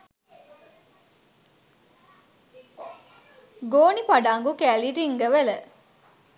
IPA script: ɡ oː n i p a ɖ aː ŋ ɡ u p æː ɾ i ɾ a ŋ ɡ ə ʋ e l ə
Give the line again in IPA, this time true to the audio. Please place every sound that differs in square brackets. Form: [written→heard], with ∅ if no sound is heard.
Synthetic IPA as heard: ɡ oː n i p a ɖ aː ŋ ɡ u [p→k] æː [ɾ→l] i ɾ [a→i] ŋ ɡ ə ʋ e l ə